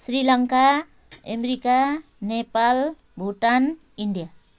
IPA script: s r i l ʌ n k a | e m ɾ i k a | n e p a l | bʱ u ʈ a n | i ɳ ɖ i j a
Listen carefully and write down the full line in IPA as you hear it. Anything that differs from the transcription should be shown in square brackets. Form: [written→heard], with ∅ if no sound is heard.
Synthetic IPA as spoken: s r i l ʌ [n→ŋ] k a | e m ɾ i k a | n e p a l | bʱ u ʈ a n | i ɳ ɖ i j a